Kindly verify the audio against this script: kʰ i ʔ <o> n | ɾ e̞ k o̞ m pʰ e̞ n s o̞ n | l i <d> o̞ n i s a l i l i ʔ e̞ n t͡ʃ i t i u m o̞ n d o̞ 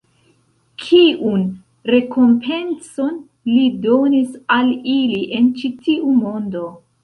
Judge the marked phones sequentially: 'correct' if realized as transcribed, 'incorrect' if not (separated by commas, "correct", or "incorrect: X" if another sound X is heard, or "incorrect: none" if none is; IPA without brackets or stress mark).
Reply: incorrect: u, correct